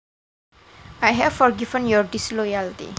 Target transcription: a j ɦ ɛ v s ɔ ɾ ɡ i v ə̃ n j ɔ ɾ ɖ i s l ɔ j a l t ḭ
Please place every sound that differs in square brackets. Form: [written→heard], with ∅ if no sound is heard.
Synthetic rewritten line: a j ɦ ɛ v [s→f] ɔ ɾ ɡ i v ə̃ n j ɔ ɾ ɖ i s l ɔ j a l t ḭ